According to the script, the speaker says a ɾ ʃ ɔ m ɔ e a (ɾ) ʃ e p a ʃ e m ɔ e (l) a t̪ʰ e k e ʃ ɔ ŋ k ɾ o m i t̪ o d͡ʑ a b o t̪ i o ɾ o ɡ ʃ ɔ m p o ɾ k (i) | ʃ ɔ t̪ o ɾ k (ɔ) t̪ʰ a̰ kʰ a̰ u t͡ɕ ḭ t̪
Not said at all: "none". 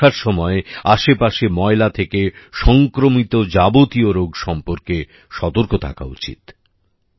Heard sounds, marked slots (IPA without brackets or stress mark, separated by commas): none, l, e, o